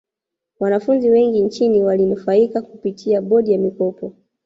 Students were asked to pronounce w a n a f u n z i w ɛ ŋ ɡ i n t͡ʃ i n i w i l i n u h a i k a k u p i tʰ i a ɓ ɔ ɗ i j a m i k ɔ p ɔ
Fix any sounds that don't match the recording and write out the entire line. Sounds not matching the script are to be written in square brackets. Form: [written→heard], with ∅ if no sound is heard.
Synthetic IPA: w a n a f u n z i w ɛ ŋ ɡ i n t͡ʃ i n i w [i→a] l i n u [h→f] a i k a k u p i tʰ i a ɓ ɔ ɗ i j a m i k ɔ p ɔ